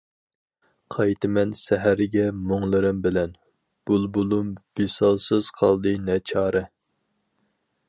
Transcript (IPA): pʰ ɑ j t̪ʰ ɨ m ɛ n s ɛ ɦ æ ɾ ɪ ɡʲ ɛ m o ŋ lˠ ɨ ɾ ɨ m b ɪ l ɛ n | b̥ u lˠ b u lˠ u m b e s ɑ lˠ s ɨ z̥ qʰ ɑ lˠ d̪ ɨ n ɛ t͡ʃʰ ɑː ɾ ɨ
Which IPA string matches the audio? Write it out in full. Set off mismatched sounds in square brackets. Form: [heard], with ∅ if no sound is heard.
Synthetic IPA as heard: [qʰ] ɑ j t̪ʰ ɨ m ɛ n s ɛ ɦ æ ɾ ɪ ɡʲ ɛ m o ŋ lˠ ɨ ɾ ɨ m b ɪ l ɛ n | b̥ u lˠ b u lˠ u m [v] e s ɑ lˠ s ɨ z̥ qʰ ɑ lˠ d̪ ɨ n ɛ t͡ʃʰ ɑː ɾ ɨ